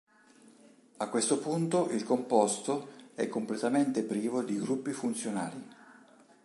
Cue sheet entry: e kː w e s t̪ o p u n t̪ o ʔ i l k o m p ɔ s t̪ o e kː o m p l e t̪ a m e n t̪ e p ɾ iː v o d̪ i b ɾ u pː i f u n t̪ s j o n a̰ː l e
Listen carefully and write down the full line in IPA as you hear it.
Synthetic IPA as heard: a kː w e s t̪ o p u n t̪ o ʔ i l k o m p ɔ s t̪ o ɛ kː o m p l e t̪ a m e n t̪ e p ɾ iː v o d̪ i ɡ ɾ u pː i f u n t̪ s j o n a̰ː l i